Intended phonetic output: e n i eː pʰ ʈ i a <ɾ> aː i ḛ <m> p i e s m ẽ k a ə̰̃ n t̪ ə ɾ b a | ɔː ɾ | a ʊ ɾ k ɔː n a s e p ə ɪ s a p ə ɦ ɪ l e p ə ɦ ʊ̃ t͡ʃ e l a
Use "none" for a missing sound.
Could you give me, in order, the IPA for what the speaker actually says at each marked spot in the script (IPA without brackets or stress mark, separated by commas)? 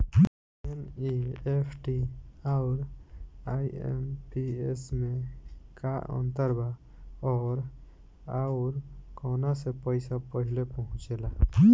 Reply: ɾ, m